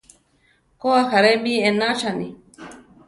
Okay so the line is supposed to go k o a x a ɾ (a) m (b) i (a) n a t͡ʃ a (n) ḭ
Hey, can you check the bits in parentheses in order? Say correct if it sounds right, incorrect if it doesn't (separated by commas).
incorrect, correct, incorrect, correct